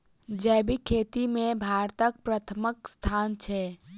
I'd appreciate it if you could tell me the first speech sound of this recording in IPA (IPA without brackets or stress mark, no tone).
d͡ʒ